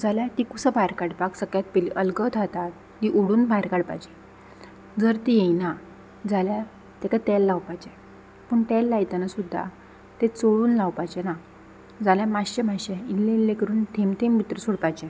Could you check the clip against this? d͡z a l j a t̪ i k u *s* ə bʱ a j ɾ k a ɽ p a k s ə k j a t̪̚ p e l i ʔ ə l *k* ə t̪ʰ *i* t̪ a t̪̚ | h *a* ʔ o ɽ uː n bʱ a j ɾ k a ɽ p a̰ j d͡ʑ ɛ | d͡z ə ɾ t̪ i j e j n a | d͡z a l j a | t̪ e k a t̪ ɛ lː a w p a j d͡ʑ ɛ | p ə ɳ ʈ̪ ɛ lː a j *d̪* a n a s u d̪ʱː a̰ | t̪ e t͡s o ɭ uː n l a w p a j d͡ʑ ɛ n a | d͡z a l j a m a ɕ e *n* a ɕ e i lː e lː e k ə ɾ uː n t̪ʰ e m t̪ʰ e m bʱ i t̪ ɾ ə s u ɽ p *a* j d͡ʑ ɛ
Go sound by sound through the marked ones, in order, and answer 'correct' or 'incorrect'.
correct, incorrect: ɡ, incorrect: a, incorrect: i, incorrect: t̪, incorrect: m, correct

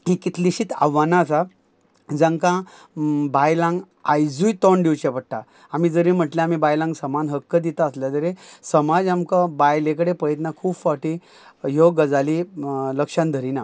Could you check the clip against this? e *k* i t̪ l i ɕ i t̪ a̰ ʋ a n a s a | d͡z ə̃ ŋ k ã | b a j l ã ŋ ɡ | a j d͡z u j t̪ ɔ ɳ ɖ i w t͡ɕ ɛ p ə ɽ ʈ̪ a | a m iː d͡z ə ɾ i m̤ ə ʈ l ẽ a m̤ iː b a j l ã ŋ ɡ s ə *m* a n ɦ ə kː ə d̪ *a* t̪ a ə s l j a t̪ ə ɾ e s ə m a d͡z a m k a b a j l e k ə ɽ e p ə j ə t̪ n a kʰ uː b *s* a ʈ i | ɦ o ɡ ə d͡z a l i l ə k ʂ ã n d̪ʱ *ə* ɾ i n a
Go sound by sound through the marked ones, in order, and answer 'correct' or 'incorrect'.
correct, correct, incorrect: i, incorrect: f, correct

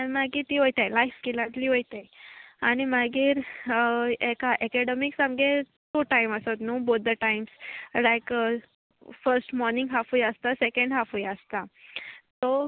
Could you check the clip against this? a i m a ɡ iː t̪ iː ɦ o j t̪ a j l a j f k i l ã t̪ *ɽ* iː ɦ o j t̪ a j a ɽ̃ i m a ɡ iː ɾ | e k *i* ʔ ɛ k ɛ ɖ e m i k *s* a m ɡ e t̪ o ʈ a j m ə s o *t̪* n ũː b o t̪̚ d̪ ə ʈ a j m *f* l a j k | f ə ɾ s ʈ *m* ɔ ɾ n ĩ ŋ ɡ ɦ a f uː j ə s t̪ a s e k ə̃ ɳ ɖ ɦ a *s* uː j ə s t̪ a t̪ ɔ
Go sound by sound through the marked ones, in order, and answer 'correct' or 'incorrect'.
incorrect: l, incorrect: a, correct, correct, incorrect: s, correct, incorrect: f

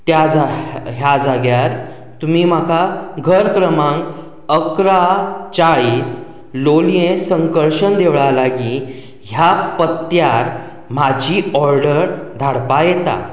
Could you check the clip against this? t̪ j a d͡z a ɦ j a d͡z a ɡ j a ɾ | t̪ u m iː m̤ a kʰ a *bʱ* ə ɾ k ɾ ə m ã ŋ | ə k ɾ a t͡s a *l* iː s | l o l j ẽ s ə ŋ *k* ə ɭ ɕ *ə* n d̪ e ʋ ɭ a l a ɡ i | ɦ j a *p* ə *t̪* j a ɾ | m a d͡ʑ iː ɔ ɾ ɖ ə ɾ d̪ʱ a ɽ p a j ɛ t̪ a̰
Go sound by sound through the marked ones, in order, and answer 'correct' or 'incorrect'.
incorrect: ɡʱ, incorrect: ɭ, correct, correct, correct, correct

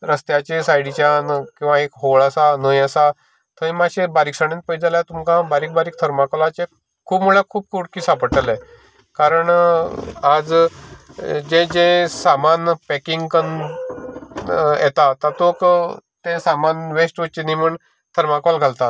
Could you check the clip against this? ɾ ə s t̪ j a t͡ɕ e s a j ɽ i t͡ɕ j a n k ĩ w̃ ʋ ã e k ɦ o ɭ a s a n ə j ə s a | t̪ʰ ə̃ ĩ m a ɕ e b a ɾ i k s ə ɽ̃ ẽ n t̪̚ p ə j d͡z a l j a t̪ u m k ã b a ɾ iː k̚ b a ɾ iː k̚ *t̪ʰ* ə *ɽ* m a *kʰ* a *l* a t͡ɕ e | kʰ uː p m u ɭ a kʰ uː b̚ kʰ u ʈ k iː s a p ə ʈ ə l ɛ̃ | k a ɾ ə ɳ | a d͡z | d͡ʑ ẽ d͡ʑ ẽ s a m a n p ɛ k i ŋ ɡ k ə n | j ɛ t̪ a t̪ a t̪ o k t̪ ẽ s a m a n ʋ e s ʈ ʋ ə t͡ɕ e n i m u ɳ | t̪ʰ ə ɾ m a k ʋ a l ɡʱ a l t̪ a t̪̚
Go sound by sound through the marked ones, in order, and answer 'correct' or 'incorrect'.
correct, incorrect: ɾ, incorrect: k, correct

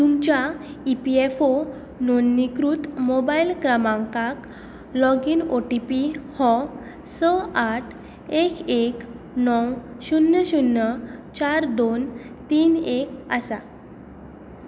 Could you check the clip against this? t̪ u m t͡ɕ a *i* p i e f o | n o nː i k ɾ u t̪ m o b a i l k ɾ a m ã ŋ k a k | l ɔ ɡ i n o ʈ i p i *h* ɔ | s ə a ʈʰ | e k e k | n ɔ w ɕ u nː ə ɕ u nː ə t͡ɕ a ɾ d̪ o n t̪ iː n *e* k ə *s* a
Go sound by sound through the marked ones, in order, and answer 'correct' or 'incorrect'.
correct, correct, correct, correct

